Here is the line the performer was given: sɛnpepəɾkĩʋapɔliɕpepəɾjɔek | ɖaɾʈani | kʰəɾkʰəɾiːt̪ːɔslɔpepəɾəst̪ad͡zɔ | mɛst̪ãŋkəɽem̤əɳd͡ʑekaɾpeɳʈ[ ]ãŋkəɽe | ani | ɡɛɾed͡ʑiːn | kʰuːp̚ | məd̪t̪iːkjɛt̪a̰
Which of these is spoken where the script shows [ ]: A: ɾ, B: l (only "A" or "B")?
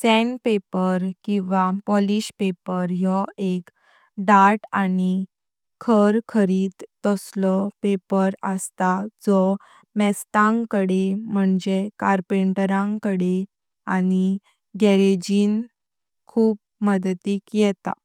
A